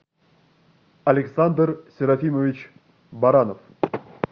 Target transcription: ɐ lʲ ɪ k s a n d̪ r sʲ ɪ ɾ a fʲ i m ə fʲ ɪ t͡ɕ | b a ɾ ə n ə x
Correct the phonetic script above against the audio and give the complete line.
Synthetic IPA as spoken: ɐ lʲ ɪ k s a n d̪ r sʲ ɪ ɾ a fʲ i m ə vʲ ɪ t͡ɕ | b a ɾ a n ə f